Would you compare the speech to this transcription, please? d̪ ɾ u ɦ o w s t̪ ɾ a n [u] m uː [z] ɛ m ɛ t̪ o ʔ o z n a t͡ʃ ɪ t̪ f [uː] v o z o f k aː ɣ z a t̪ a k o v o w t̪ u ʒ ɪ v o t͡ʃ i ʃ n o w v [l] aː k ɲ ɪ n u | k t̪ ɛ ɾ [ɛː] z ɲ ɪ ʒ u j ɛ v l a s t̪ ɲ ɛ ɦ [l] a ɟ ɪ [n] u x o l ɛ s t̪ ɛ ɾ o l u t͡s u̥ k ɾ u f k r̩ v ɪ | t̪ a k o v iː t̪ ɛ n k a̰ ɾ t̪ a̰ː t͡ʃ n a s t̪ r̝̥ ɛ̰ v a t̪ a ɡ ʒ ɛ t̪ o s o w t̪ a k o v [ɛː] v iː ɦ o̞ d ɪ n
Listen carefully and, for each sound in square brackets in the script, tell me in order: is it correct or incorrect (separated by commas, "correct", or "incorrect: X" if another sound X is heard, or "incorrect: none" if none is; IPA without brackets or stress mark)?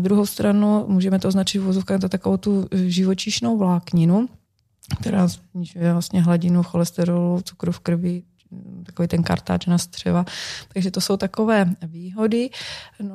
correct, incorrect: ʒ, incorrect: u, correct, incorrect: aː, correct, correct, correct